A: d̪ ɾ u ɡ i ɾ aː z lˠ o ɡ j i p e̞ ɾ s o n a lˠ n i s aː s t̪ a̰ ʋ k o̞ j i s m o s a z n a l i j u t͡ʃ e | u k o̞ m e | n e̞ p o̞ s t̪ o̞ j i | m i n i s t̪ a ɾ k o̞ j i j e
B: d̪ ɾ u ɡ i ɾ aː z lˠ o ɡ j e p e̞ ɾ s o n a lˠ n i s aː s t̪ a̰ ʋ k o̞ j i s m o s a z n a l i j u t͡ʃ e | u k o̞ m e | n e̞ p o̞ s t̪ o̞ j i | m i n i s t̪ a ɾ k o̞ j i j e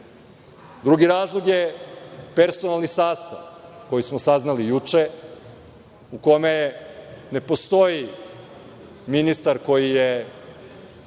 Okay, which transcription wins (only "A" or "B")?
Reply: B